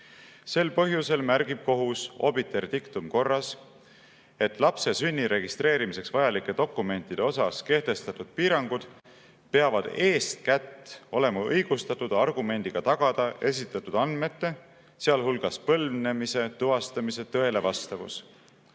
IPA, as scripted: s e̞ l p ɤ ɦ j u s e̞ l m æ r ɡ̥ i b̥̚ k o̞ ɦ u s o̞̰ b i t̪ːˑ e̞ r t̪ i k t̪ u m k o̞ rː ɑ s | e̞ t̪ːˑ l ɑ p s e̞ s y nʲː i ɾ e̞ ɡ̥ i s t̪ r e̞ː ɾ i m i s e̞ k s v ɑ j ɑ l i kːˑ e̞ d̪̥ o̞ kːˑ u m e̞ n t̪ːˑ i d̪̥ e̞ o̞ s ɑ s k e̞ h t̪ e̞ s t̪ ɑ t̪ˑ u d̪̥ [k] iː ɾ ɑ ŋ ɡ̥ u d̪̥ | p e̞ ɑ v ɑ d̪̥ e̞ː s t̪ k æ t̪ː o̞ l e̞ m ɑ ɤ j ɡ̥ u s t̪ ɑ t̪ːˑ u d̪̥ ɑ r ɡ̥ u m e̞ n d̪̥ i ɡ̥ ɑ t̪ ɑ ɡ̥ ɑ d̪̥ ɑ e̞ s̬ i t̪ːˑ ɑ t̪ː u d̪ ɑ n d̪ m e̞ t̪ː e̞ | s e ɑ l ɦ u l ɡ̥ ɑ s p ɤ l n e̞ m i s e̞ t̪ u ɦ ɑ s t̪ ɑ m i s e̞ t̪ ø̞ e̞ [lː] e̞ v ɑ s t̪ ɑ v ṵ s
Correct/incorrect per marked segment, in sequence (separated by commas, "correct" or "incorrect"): incorrect, incorrect